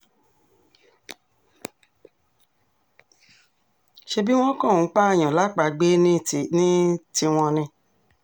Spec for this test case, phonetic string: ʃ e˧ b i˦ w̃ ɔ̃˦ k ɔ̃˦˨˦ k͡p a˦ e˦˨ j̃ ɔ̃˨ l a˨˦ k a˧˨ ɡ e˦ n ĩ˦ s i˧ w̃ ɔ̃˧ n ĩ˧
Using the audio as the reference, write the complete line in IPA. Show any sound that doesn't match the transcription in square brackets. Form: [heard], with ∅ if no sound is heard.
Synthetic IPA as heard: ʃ e˧ b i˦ w̃ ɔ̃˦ k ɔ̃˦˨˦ k͡p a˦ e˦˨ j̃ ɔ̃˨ l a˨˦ [k͡p] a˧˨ [ɡ͡b] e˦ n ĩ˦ [t] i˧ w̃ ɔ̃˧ n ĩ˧